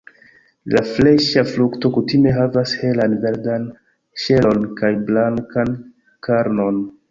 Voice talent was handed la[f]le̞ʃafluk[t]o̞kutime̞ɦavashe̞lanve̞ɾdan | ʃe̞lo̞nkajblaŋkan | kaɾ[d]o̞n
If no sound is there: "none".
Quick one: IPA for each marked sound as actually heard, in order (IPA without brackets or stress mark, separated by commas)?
f, t, n